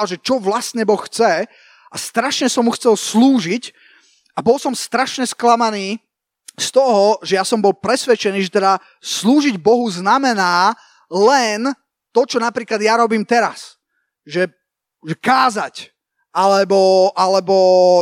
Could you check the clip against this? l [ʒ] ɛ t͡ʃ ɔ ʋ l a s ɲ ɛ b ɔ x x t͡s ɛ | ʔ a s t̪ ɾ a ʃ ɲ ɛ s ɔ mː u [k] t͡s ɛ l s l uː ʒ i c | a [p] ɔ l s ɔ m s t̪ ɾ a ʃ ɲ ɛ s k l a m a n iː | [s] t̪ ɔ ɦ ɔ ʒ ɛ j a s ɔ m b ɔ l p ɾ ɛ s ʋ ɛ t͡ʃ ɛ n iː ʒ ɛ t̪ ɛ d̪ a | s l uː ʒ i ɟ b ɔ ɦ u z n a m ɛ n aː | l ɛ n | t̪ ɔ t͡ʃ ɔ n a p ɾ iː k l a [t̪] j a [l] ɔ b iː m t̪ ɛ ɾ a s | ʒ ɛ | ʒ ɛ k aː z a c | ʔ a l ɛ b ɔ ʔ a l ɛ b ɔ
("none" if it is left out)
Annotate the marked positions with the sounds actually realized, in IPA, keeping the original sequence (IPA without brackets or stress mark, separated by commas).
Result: ʒ, x, b, s, d̪, ɾ